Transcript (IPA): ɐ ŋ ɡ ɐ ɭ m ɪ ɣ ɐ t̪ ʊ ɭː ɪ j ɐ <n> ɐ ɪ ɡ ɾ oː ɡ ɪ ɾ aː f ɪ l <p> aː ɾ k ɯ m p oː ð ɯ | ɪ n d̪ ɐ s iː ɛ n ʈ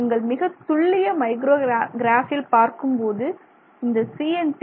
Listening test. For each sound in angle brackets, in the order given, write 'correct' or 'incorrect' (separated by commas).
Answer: incorrect, correct